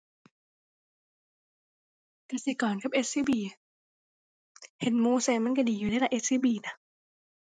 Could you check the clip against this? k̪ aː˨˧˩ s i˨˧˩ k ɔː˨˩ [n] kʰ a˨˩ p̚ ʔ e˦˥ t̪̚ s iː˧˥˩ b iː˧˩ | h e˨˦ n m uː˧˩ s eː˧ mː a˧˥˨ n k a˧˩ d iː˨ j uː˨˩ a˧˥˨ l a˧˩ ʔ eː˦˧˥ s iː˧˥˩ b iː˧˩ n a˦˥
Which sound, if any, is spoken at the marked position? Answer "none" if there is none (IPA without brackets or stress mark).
n